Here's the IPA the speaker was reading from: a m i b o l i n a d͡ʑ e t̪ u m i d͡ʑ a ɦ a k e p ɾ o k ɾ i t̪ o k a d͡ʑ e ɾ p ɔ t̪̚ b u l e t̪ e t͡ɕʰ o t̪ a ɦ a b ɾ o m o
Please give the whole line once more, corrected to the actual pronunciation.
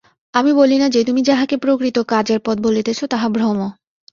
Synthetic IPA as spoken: a m i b o l i n a d͡ʑ e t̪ u m i d͡ʑ a ɦ a k e p ɾ o k ɾ i t̪ o k a d͡ʑ e ɾ p ɔ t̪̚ b o l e t̪ e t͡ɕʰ o t̪ a ɦ a b ɾ o m o